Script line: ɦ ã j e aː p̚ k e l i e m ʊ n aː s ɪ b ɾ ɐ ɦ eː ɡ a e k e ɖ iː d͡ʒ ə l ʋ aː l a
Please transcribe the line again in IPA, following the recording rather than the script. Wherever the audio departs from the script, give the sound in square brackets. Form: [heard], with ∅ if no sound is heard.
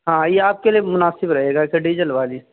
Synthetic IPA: ɦ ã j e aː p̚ k e l i e m ʊ n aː s ɪ b ɾ ɐ ɦ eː ɡ a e k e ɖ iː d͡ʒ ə l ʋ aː l [i]